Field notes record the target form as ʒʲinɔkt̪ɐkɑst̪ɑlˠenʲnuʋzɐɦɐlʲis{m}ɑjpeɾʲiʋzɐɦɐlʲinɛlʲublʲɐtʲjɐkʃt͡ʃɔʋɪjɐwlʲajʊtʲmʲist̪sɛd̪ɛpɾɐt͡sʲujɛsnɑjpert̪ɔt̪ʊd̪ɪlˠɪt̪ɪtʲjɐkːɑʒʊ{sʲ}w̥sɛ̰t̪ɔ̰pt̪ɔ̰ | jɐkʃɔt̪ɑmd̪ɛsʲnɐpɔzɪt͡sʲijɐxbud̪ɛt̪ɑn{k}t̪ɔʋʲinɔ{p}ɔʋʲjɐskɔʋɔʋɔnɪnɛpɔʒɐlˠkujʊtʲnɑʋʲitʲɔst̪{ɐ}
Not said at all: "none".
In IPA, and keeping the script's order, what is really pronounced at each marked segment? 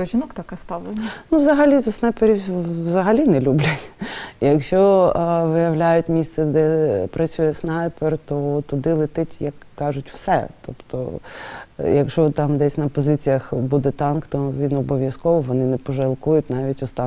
n, tʲ, k, b, ɑ

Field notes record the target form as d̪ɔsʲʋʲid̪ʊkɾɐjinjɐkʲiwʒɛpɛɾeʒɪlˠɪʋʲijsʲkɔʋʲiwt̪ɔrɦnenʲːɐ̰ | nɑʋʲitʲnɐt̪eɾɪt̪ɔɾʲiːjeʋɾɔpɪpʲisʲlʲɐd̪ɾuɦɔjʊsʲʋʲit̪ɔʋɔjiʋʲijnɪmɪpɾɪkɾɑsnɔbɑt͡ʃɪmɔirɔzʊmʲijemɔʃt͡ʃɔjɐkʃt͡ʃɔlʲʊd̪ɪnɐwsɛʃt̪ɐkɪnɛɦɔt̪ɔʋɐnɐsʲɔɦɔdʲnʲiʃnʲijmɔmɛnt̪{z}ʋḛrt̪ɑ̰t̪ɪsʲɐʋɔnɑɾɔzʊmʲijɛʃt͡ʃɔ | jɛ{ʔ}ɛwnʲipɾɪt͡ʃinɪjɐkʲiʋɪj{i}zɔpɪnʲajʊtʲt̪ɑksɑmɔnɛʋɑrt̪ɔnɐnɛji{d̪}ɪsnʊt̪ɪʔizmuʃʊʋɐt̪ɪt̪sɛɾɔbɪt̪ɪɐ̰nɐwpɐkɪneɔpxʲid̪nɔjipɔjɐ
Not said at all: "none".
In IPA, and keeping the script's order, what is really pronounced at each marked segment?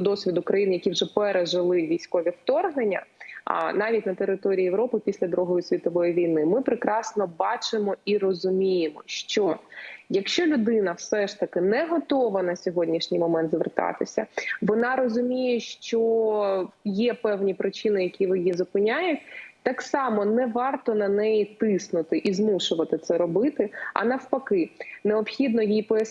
z, p, i, t̪

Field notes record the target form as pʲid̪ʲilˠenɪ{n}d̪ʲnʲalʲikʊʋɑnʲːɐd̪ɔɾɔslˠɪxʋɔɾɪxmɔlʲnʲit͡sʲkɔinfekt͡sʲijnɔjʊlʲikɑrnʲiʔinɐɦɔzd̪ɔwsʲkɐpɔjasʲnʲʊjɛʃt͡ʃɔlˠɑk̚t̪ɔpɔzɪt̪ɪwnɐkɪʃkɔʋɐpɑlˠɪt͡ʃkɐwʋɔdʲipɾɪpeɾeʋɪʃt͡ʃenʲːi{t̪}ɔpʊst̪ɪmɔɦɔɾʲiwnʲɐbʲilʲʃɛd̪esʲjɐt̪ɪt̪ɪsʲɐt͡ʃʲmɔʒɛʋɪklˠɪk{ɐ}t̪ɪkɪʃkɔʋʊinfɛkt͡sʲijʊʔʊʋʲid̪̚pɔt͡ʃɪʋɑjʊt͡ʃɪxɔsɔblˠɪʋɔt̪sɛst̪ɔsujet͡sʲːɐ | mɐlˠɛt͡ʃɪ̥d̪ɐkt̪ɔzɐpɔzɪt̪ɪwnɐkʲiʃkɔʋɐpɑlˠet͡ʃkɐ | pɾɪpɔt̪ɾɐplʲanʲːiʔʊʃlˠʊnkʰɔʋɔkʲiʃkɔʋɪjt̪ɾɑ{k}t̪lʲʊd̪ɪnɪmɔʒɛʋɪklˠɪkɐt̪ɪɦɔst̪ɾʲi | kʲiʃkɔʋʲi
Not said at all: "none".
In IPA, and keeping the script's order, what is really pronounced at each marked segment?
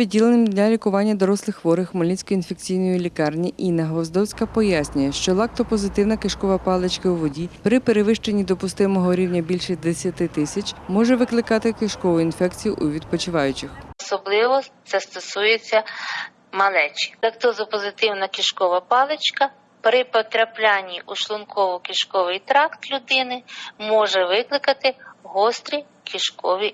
m, d̪, ɑ, k

